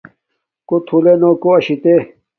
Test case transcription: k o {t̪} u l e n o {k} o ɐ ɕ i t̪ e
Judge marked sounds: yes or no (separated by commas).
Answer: no, yes